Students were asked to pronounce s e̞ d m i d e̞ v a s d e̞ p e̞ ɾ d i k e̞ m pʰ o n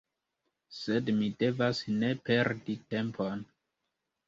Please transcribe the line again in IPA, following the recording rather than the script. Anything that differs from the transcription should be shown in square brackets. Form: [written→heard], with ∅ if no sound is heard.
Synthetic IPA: s e̞ d m i d e̞ v a s [d→n] e̞ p e̞ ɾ d i [k→t] e̞ m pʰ o n